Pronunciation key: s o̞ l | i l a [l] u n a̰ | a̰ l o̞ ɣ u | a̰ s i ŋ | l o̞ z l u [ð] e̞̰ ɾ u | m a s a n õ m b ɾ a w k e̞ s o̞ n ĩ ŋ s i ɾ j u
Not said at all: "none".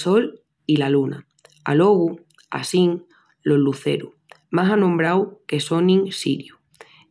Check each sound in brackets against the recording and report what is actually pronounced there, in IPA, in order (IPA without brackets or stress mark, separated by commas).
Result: l, θ